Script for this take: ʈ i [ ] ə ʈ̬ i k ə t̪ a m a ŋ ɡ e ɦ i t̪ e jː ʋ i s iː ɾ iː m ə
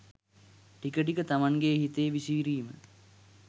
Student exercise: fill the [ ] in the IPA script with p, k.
k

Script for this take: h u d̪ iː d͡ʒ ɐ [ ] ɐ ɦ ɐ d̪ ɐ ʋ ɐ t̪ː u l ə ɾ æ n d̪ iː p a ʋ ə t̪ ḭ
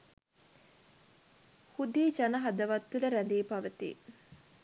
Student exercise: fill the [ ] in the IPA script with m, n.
n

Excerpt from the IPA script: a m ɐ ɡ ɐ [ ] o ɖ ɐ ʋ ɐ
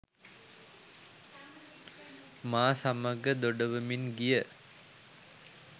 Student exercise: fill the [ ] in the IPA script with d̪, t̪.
d̪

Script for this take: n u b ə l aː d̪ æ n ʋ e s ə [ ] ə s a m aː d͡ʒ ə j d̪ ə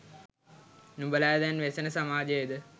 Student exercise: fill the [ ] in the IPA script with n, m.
n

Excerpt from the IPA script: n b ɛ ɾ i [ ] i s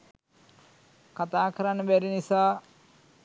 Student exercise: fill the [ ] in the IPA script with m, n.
n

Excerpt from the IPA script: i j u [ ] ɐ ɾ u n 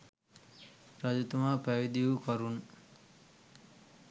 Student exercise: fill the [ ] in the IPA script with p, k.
k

